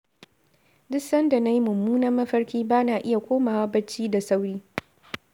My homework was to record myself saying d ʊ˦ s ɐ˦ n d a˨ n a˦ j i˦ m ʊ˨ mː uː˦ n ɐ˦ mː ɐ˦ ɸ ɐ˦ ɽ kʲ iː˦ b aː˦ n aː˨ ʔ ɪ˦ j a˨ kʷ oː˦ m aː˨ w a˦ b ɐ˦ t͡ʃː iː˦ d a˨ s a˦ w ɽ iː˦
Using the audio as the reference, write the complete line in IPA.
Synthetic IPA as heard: d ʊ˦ s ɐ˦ n d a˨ n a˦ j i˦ m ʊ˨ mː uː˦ n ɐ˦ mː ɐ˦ ɸ ɐ˦ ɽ kʲ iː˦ b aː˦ n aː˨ ʔ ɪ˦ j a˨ kʷ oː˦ m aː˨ w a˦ b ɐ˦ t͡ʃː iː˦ d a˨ s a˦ w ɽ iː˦